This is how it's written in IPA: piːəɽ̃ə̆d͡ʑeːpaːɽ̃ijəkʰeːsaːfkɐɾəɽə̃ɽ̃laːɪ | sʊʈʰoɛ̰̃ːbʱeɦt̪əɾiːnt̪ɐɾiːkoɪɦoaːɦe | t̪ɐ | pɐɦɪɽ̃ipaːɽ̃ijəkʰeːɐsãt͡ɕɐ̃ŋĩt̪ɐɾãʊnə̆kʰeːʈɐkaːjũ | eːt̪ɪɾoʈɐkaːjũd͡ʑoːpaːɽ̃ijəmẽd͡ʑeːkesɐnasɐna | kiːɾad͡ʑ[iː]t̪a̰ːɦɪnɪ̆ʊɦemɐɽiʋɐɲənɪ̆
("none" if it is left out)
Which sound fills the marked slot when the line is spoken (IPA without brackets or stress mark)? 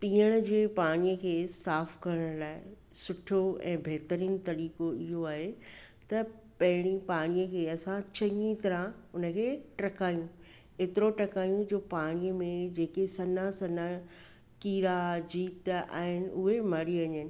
iː